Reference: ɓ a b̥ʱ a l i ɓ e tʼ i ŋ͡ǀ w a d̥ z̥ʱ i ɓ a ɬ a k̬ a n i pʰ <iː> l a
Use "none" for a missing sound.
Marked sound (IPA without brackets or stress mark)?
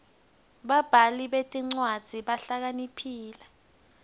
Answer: iː